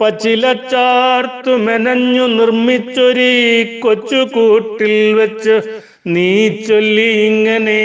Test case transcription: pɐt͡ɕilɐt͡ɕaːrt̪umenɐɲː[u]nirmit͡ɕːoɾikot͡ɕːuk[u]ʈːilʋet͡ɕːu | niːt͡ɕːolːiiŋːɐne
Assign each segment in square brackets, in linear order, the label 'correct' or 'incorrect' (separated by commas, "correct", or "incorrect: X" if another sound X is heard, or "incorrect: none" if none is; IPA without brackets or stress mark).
correct, incorrect: uː